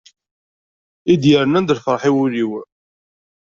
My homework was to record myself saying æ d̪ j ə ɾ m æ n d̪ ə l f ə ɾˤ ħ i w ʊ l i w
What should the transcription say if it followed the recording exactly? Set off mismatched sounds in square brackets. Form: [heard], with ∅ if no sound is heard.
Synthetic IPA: [i] d̪ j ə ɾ [n] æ n d̪ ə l f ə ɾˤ ħ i w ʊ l i w